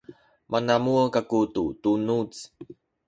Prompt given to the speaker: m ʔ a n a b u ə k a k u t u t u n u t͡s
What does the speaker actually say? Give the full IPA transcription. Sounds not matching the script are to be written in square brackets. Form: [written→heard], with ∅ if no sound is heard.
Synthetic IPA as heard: m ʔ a n a [b→m] u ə k a k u t u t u n u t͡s